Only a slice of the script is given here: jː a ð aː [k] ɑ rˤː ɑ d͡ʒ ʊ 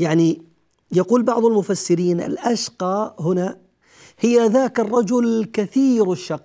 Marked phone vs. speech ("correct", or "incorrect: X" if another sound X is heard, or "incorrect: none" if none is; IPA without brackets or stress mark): correct